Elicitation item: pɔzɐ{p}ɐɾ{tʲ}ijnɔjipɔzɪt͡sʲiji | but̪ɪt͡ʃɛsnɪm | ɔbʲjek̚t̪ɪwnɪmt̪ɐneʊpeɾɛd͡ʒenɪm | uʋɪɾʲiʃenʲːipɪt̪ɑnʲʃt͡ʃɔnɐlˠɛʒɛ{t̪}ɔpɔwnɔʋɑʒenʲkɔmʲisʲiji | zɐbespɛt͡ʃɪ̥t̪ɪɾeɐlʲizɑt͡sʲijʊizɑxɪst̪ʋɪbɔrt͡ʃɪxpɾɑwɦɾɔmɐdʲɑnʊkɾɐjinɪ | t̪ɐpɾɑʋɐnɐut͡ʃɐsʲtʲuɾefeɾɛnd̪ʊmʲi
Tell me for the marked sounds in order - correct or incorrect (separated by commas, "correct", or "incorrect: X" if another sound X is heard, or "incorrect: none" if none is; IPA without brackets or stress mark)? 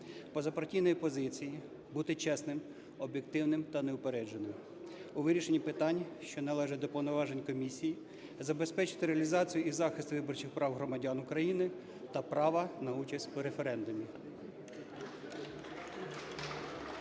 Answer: correct, correct, incorrect: d̪